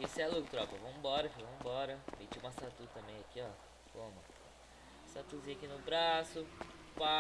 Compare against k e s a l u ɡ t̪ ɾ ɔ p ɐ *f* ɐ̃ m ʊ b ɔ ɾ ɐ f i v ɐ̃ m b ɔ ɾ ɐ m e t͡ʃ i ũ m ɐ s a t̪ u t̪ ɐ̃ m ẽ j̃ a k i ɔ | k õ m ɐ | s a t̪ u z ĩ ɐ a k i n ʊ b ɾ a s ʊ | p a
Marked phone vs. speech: incorrect: v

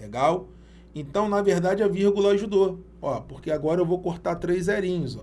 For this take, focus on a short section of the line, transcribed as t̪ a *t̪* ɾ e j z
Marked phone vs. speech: correct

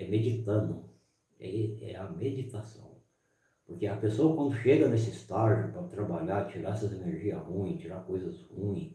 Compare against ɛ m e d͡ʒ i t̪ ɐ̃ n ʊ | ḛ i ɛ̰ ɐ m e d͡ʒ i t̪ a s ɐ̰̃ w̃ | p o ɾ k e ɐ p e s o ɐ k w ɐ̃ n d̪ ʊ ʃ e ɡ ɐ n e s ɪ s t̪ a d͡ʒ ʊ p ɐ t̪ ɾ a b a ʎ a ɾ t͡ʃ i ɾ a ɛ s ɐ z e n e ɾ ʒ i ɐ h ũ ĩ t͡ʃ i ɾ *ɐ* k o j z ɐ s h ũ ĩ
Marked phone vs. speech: incorrect: a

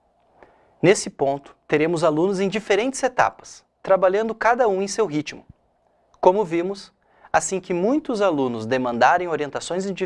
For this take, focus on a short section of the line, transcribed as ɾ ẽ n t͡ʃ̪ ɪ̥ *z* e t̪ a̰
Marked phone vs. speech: correct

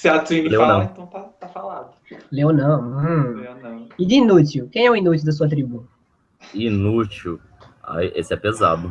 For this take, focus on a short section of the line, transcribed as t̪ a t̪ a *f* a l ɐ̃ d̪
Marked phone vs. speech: correct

